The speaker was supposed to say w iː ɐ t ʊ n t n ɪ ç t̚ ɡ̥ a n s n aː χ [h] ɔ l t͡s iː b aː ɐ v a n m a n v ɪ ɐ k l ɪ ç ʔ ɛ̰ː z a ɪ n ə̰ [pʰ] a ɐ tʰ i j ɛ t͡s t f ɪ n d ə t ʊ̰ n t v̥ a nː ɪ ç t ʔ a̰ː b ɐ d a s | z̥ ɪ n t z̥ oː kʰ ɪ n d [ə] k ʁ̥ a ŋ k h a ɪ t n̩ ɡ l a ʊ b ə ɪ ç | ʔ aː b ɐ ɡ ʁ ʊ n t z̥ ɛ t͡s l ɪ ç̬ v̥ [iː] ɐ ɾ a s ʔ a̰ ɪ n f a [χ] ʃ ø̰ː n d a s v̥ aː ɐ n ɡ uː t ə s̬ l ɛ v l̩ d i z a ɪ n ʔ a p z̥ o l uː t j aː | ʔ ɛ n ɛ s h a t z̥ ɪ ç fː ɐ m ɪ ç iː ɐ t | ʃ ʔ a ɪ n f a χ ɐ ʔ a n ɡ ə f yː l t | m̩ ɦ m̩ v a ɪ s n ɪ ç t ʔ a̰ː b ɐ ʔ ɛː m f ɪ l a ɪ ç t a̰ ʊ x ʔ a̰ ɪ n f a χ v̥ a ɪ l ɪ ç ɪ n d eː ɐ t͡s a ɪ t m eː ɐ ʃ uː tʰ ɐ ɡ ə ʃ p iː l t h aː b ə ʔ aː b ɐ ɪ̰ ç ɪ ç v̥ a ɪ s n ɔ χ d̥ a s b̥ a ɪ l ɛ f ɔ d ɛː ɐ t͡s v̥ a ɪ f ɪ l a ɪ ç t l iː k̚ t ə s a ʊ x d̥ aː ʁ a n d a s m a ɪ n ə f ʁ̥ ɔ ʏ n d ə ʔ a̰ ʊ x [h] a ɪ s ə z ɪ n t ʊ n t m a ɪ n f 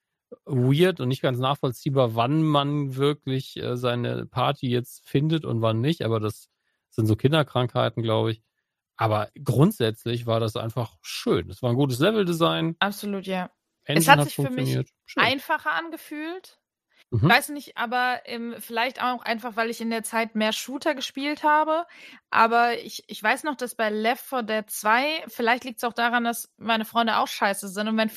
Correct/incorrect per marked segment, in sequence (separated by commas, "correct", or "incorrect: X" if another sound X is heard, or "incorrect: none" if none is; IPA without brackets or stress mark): incorrect: f, correct, incorrect: ɐ, incorrect: aː, correct, incorrect: ʃ